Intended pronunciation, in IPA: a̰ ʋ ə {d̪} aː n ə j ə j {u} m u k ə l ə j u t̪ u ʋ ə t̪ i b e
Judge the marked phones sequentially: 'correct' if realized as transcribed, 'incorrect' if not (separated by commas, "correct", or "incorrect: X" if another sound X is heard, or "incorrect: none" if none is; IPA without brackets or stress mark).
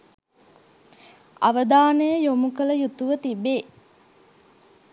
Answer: correct, incorrect: o